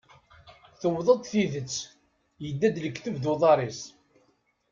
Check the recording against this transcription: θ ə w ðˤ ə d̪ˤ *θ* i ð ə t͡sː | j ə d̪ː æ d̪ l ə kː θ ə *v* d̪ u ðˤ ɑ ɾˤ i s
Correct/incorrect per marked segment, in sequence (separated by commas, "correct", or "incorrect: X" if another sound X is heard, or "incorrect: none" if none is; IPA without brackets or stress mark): correct, correct